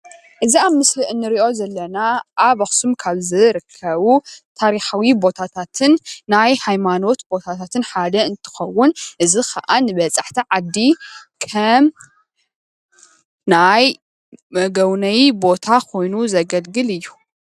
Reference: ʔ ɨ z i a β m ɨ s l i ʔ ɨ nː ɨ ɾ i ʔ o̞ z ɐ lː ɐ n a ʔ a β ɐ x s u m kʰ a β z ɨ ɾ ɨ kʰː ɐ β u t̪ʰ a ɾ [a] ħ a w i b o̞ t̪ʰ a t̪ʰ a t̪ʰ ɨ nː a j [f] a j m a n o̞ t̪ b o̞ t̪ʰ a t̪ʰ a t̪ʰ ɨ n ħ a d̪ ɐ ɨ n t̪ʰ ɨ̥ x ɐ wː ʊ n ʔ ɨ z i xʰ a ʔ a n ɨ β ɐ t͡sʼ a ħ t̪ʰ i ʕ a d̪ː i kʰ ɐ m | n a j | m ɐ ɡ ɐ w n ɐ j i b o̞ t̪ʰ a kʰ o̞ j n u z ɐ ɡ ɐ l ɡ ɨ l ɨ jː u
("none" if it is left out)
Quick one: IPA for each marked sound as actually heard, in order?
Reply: i, h

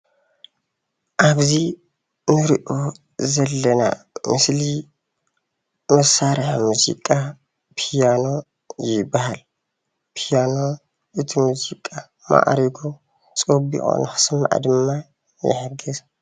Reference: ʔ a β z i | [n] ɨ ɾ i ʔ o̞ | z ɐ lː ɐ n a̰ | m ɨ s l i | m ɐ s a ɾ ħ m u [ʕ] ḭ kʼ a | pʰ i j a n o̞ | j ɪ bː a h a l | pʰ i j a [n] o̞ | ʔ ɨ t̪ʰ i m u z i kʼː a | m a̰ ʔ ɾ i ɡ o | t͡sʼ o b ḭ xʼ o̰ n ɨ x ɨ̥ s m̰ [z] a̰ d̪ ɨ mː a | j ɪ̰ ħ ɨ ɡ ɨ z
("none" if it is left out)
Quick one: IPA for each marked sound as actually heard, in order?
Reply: n, z, n, ʕ

